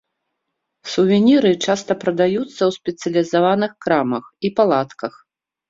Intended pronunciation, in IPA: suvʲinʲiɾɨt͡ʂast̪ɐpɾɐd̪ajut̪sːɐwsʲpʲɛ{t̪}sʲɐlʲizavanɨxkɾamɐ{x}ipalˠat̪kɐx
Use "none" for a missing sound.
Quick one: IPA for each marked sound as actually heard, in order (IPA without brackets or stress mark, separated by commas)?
t̪, x